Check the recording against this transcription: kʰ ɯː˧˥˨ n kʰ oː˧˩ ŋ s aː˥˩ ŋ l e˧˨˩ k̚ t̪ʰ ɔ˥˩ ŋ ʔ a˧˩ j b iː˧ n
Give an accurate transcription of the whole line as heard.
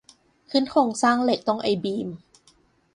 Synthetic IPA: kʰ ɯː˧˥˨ n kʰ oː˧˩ ŋ s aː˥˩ ŋ l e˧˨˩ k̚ t̪ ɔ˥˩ ŋ ʔ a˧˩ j b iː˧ m